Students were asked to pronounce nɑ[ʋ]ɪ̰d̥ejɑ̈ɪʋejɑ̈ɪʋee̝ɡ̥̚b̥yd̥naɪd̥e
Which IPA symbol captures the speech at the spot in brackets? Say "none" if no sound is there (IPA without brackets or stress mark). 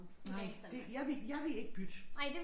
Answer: none